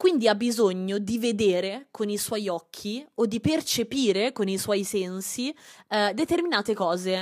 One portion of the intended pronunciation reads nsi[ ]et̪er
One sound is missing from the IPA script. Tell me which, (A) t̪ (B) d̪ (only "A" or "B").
B